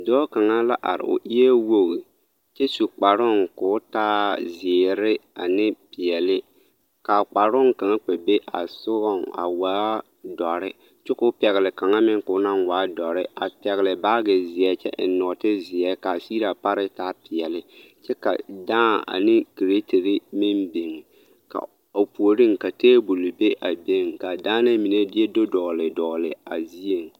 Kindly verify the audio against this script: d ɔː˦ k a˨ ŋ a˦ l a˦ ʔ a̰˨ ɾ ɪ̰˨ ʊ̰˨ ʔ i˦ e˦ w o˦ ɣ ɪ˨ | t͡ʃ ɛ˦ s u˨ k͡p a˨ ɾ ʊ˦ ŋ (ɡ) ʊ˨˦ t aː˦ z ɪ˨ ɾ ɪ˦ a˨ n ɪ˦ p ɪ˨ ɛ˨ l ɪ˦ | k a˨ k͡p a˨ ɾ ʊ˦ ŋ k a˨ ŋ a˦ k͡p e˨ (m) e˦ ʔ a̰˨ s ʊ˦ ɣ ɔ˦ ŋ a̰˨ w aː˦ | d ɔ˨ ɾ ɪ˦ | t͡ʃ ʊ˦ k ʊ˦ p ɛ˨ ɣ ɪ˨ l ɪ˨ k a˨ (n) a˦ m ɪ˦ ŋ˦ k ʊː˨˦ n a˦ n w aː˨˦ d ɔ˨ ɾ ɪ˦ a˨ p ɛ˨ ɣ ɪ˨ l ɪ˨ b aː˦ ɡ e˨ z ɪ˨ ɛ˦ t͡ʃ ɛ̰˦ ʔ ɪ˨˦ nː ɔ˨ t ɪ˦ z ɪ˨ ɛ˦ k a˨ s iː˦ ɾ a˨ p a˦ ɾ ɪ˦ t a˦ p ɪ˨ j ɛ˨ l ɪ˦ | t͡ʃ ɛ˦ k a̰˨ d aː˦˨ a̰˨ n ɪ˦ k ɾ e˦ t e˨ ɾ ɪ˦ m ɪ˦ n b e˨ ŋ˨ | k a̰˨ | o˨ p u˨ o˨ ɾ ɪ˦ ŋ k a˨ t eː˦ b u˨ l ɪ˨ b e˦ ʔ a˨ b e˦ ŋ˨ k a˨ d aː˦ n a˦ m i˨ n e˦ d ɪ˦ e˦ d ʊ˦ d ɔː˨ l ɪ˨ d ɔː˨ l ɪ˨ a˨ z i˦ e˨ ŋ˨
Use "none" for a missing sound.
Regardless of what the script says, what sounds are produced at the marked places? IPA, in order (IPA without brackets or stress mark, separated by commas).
k, b, ŋ